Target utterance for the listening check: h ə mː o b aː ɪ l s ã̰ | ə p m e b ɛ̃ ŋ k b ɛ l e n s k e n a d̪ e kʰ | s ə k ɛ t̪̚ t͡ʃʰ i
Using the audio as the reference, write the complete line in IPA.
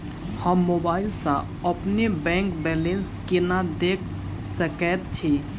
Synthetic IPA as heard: h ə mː o b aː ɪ l s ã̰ | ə p n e b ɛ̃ ŋ k b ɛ l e n s k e n a d̪ e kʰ | s ə k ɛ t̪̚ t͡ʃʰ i